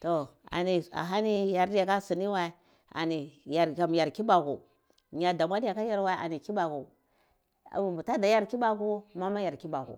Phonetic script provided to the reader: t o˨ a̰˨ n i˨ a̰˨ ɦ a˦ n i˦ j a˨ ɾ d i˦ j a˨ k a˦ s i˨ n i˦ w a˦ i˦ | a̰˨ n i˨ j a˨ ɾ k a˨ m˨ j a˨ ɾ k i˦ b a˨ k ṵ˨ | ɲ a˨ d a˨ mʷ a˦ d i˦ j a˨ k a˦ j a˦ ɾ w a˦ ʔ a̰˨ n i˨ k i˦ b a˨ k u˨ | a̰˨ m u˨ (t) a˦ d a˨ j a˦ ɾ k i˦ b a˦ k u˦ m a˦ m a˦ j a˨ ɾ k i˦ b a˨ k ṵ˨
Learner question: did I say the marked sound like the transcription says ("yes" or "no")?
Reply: yes